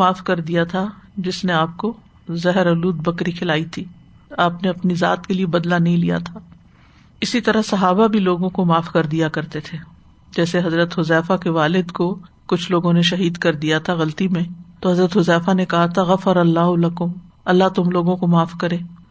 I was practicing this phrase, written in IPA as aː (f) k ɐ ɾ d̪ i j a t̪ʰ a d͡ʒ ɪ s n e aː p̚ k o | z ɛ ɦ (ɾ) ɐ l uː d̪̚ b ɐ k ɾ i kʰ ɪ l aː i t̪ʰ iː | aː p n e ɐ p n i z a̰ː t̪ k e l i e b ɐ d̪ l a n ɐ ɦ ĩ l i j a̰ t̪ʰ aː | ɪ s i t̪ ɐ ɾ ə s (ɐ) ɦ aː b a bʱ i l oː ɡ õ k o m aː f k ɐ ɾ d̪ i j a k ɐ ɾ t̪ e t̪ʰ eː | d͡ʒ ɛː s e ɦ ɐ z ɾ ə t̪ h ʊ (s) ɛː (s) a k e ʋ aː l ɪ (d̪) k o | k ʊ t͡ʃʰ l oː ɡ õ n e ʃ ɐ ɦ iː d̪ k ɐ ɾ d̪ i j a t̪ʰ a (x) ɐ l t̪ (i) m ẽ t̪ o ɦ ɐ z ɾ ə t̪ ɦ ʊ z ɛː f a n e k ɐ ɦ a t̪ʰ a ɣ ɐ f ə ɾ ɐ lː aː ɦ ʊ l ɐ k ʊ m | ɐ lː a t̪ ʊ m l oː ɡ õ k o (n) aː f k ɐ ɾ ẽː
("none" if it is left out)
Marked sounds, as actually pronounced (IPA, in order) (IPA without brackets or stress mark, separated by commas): f, ɾ, ɐ, z, f, d̪, ɣ, i, m